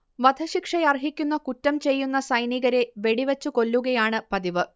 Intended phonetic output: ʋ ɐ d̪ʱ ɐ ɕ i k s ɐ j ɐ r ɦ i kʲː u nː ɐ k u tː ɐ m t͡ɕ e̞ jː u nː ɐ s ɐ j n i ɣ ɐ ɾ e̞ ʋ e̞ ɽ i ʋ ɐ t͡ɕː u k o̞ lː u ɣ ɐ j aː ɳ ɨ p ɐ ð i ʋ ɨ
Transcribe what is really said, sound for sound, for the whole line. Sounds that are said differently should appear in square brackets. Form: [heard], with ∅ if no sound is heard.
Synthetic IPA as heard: ʋ ɐ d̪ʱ ɐ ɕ i k [ʂ] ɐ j ɐ r ɦ i kʲː u nː ɐ k u tː ɐ m t͡ɕ e̞ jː u nː ɐ s ɐ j n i ɣ ɐ ɾ e̞ ʋ e̞ ɽ i ʋ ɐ t͡ɕː u k o̞ lː u ɣ ɐ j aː ɳ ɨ p ɐ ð i ʋ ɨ